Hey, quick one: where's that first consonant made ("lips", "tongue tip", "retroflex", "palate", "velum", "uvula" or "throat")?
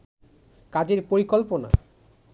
velum